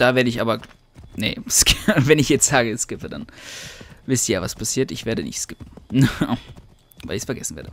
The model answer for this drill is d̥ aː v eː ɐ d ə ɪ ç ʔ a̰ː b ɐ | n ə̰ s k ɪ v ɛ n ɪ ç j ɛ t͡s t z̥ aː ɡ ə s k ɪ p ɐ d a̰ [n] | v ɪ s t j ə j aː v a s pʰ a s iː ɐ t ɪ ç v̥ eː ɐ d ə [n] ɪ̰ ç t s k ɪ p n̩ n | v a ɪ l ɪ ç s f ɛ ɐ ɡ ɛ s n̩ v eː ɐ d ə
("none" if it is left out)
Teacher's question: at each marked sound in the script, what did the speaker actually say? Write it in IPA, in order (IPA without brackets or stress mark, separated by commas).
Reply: n, n